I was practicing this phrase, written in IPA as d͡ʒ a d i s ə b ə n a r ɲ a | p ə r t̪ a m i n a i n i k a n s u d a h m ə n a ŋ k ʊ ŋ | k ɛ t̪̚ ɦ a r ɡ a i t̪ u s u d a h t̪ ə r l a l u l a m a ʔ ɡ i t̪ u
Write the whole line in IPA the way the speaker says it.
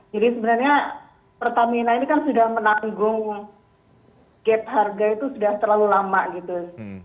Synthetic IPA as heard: d͡ʒ a d i s ə b ə n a r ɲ a | p ə r t̪ a m i n a i n i k a n s u d a h m ə n a ŋ ɡ ʊ ŋ | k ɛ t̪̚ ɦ a r ɡ a i t̪ u s u d a h t̪ ə r l a l u l a m a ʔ ɡ i t̪ u